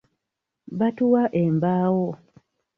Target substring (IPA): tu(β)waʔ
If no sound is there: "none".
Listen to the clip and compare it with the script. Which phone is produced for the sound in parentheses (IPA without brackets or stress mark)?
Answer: none